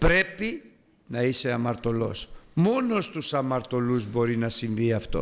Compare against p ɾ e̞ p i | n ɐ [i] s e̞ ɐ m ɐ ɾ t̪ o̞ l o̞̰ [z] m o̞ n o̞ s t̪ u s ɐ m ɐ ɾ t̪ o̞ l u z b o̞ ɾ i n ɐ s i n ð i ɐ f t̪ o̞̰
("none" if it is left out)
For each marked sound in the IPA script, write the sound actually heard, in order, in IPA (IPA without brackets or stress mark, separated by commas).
i, s